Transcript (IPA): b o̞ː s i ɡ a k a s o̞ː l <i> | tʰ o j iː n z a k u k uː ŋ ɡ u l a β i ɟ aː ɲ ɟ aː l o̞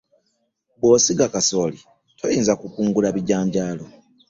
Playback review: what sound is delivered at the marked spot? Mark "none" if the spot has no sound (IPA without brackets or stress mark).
i